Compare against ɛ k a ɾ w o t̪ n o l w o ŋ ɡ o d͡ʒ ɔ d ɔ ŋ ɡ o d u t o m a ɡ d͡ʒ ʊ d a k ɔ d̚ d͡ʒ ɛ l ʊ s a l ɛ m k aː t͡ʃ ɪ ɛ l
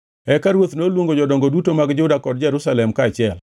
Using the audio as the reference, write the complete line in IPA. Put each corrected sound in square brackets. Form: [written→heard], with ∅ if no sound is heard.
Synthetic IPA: ɛ k a ɾ w o t̪ n o l w o ŋ ɡ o d͡ʒ ɔ d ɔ ŋ ɡ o d u t o m a ɡ d͡ʒ ʊ d a k ɔ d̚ d͡ʒ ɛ [l→ɾ] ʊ s a l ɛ m k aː t͡ʃ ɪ ɛ l